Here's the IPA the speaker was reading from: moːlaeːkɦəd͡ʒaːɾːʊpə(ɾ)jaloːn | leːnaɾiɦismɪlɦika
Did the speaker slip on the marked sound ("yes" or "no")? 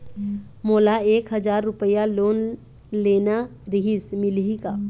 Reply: yes